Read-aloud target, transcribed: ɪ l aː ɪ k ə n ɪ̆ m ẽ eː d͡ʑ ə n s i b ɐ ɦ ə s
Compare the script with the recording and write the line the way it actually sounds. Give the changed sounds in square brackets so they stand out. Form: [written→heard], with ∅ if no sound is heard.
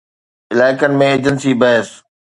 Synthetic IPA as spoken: ɪ l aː ɪ k ə n ɪ̆ m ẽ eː d͡ʑ ə n s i b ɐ ɦ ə s